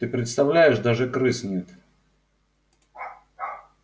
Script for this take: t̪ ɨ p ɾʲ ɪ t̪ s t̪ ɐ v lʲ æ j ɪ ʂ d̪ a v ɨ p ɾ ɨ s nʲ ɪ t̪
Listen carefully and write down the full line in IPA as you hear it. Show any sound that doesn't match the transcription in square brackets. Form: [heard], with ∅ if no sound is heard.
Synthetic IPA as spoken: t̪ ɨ p ɾʲ ɪ t̪ s t̪ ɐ v lʲ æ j ɪ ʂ d̪ a [ʐ] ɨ [k] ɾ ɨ s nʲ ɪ t̪